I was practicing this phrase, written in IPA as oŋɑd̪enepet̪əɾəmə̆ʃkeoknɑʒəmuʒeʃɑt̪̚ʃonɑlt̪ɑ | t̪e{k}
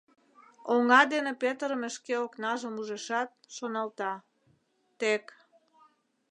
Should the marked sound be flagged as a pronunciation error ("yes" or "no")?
no